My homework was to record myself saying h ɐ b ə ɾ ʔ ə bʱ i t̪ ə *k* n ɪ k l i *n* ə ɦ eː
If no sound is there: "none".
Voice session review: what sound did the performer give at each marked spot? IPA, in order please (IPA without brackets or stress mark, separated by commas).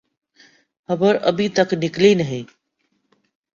k, n